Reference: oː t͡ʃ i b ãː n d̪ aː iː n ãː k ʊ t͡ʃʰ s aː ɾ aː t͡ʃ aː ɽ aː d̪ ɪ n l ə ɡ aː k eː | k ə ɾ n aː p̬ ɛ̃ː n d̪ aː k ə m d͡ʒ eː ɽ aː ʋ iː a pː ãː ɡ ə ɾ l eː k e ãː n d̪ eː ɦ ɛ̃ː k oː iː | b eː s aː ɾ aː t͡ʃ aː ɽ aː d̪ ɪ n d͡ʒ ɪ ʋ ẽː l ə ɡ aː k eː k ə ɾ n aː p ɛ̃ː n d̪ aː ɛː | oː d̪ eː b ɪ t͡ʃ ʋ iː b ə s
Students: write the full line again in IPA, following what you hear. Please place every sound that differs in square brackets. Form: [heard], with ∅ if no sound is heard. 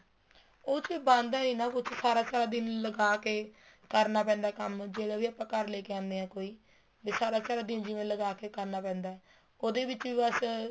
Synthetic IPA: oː t͡ʃ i b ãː n d̪ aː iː n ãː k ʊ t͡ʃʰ s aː ɾ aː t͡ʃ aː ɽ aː d̪ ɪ n l ə ɡ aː k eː | k ə ɾ n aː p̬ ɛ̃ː n d̪ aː k ə m d͡ʒ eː ɽ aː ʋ iː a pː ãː [k] ə ɾ l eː k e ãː n d̪ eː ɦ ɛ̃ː k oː iː | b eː s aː ɾ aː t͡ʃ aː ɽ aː d̪ ɪ n d͡ʒ ɪ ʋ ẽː l ə ɡ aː k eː k ə ɾ n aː p ɛ̃ː n d̪ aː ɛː | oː d̪ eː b ɪ t͡ʃ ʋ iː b ə s